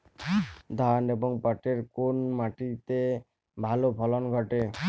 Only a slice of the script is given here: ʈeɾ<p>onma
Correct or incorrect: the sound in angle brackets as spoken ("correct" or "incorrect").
incorrect